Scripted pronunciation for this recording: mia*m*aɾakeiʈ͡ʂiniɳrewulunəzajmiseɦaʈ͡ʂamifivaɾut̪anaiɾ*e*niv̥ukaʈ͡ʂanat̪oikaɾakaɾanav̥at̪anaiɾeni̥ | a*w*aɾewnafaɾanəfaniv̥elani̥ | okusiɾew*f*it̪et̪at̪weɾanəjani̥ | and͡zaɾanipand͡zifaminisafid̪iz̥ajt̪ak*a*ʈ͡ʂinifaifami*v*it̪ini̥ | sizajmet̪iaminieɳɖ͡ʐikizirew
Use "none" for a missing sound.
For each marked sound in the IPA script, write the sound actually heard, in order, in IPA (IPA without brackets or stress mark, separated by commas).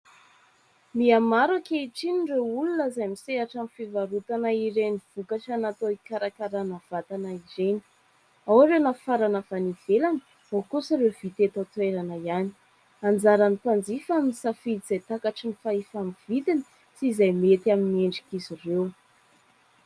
m, e, w, v, a, v